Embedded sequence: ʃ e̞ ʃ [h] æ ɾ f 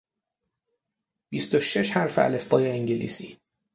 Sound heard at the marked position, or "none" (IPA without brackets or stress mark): h